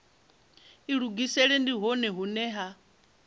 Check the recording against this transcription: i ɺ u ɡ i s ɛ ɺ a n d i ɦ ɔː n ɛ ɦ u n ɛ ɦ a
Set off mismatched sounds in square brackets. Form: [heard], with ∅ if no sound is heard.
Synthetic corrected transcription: i ɺ u ɡ i s ɛ ɺ [ɛ] n d i ɦ [ɔ] n ɛ ɦ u n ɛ ɦ a